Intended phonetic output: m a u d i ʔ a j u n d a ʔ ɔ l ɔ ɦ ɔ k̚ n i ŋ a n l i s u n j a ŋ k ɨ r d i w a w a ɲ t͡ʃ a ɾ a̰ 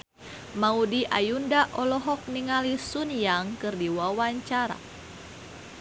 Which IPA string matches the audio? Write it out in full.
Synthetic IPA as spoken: m a u d i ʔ a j u n d a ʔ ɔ l ɔ ɦ ɔ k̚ n i ŋ a l i s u n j a ŋ k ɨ r d i w a w a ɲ t͡ʃ a ɾ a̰